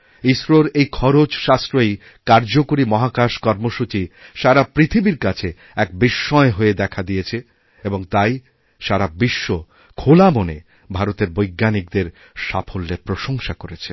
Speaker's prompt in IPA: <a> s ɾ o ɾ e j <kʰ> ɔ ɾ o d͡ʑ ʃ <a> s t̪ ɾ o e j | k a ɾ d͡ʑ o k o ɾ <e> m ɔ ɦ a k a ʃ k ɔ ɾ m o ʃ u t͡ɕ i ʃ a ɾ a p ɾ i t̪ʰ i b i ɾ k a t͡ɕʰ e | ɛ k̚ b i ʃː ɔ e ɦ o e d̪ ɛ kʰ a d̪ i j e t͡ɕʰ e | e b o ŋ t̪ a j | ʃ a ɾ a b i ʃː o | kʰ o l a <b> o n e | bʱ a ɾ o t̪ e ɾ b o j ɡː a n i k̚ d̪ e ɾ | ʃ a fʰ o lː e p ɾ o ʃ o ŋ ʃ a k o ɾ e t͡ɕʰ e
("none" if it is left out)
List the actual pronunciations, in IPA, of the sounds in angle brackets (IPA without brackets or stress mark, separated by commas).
i, kʰ, a, i, m